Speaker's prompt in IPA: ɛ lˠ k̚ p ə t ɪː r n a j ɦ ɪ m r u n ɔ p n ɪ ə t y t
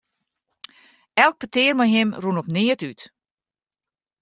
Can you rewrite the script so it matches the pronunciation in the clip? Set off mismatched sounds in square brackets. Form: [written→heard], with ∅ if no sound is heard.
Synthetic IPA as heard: ɛ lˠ k̚ p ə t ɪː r [n→m] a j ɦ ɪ m r u n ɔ p n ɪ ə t y t